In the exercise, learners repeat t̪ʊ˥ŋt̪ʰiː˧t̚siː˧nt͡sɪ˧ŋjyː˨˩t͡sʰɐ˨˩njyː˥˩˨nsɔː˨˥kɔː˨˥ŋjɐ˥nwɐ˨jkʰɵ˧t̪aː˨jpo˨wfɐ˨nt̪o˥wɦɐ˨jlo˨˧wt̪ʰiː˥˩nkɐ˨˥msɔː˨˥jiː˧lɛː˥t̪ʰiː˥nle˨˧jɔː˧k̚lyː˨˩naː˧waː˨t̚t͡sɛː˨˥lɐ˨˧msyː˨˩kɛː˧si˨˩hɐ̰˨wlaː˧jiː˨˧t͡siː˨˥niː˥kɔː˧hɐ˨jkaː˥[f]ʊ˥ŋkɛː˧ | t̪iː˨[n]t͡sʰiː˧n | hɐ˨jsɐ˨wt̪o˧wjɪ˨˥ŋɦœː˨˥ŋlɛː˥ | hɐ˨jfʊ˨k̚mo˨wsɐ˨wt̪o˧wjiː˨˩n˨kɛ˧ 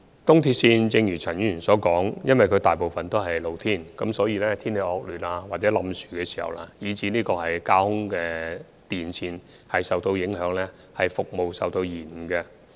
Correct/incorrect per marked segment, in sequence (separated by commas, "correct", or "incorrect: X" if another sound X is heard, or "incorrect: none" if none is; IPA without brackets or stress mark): incorrect: h, correct